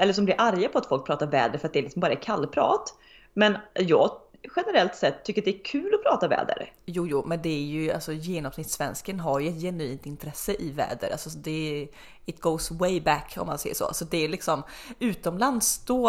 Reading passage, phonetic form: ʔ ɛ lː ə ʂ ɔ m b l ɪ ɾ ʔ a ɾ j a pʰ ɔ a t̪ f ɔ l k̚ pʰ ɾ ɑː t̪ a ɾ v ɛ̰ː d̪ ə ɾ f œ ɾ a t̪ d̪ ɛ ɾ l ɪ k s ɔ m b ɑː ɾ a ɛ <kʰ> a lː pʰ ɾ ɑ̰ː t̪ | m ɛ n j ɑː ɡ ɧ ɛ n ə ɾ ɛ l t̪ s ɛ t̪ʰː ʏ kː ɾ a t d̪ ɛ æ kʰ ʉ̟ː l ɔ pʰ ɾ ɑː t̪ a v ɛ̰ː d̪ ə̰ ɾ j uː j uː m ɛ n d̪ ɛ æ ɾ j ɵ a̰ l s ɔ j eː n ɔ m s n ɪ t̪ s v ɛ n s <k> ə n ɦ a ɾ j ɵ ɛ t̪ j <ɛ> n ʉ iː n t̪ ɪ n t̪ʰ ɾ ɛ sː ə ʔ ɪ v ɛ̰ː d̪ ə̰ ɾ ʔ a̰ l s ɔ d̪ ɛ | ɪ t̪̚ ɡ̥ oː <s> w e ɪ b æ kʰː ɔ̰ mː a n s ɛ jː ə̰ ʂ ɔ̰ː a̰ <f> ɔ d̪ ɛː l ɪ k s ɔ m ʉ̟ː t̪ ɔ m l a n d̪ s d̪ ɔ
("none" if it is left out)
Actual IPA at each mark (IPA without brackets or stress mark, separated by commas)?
kʰ, k, ɛ, s, s